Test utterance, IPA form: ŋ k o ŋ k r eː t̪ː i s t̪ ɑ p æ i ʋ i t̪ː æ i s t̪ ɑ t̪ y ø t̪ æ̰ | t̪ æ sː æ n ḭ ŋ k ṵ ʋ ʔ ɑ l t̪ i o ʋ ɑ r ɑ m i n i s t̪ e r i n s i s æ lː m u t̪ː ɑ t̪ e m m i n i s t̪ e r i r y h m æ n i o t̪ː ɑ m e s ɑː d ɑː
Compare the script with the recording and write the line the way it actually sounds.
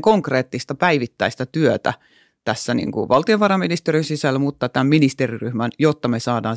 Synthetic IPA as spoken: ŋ k o ŋ k r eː t̪ː i s t̪ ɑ p æ i ʋ i t̪ː æ i s t̪ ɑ t̪ y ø t̪ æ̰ | t̪ æ sː æ n ḭ ŋ k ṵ ʋ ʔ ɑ l t̪ i o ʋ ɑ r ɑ m i n i s t̪ e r i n s i s æ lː m u t̪ː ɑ t̪ æ m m i n i s t̪ e r i r y h m æ n j o t̪ː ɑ m e s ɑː d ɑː